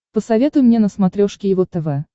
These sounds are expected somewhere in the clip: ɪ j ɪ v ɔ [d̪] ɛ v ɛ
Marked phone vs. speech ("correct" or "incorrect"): incorrect